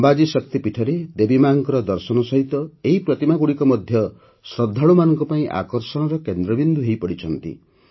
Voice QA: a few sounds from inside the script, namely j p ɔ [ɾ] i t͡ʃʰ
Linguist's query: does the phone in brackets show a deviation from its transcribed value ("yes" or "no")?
yes